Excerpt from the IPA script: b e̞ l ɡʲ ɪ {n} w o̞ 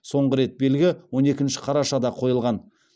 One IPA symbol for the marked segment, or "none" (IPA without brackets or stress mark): none